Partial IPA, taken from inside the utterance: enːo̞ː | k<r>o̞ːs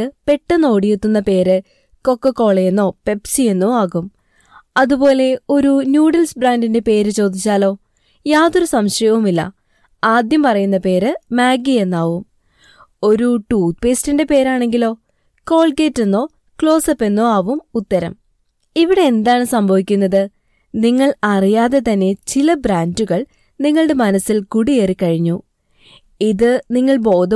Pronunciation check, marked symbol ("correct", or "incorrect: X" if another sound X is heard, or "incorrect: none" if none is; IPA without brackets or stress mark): incorrect: ɭ